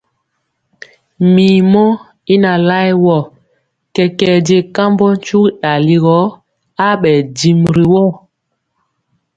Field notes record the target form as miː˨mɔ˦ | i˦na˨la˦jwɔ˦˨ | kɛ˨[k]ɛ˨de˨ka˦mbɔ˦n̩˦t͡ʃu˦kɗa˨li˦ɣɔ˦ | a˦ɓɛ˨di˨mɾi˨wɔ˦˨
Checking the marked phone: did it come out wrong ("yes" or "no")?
no